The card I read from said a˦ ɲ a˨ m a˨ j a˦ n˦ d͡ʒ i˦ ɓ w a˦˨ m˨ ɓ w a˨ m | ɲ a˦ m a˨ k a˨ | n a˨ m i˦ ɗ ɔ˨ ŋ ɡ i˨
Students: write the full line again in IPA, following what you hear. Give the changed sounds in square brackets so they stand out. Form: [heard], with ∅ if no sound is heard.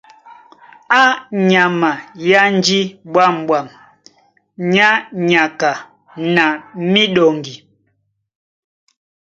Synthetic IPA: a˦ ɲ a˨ m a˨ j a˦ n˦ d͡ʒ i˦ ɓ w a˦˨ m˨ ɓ w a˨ m | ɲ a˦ [ɲ] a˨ k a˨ | n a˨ m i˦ ɗ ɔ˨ ŋ ɡ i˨